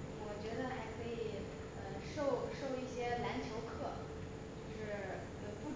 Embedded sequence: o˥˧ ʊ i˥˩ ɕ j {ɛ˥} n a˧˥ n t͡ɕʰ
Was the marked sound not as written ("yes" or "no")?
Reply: no